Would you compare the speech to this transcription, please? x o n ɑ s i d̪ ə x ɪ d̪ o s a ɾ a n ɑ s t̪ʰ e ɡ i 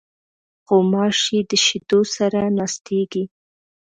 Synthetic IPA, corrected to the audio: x o m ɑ ʃ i d̪ ə ʃ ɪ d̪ o s a ɾ a n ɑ s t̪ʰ e ɡ i